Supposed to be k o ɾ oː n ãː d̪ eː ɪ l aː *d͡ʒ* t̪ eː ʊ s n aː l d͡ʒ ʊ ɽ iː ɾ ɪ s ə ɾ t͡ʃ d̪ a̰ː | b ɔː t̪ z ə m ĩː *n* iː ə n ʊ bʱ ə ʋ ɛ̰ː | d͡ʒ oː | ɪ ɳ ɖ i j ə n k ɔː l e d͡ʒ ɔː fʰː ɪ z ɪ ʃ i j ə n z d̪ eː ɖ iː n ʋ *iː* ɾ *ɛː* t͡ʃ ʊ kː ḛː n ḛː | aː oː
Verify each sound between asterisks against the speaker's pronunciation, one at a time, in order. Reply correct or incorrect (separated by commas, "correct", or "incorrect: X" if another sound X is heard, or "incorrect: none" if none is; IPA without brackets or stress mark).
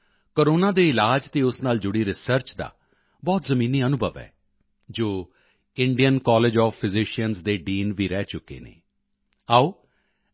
correct, correct, correct, correct